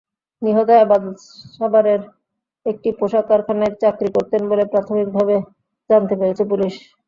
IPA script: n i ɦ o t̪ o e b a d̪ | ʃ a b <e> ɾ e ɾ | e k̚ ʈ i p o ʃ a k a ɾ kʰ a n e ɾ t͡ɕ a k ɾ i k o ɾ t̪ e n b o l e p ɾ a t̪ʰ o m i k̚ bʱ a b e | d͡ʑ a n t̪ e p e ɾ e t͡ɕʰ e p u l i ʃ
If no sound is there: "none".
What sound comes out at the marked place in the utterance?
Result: a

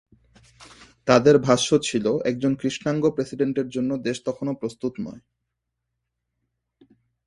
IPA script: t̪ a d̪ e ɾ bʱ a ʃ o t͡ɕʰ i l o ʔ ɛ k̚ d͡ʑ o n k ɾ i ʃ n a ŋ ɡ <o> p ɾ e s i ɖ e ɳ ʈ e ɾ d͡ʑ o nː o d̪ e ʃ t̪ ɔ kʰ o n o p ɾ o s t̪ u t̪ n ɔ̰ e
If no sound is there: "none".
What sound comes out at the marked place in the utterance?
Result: o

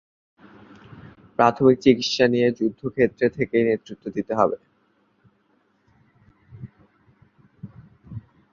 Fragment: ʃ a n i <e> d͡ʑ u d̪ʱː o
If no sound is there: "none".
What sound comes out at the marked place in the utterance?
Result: e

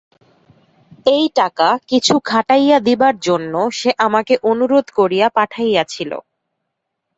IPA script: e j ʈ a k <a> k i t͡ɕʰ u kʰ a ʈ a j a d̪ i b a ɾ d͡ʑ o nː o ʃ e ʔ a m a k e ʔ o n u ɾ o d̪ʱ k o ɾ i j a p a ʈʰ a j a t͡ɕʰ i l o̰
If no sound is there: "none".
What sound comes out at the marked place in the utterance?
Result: a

